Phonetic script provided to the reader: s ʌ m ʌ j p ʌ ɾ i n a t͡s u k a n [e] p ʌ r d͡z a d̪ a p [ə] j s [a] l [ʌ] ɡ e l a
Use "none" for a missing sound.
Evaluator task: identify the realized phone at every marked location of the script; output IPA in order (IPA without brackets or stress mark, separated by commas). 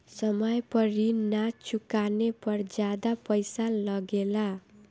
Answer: e, ʌ, a, ʌ